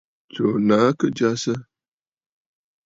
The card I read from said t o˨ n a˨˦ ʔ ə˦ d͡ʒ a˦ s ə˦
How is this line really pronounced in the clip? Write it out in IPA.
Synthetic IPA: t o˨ n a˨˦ k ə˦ d͡ʒ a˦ s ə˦